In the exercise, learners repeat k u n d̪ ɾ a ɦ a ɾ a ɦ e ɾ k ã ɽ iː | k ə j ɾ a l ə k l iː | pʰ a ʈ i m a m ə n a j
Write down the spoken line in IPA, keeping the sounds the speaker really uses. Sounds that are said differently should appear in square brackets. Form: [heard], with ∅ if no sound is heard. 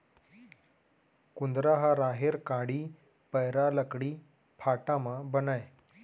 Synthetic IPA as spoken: k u n d̪ ɾ a ɦ a ɾ a ɦ e ɾ k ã ɽ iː | [p] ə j ɾ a l ə k [ɽ] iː | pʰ a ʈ [a] m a [b] ə n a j